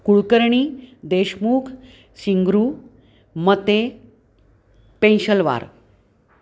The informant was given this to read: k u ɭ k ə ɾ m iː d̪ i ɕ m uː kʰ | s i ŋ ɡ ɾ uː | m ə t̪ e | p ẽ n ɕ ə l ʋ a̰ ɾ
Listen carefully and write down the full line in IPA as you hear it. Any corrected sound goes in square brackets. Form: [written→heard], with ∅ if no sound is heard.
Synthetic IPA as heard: k u ɭ k ə ɾ [m→ɳ] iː d̪ [i→e] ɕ m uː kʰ | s i ŋ ɡ ɾ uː | m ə t̪ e | p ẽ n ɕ ə l ʋ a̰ ɾ